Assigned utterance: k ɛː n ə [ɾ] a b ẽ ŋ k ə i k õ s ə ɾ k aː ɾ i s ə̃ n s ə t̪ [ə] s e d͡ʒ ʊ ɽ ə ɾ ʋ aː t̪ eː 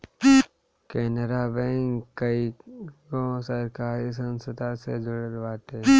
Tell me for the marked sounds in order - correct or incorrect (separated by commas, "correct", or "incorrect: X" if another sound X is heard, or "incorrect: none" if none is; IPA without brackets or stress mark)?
correct, incorrect: a